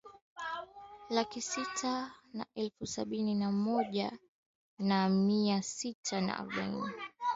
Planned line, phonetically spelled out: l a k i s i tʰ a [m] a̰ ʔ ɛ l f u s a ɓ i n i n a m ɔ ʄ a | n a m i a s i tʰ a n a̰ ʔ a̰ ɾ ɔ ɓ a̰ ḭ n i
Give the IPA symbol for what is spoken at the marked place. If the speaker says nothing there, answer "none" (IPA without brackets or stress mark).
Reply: n